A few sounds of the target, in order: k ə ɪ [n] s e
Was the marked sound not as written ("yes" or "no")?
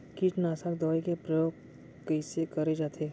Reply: yes